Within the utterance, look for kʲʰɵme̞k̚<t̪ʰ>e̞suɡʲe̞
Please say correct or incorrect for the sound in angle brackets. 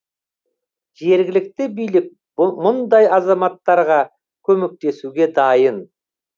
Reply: incorrect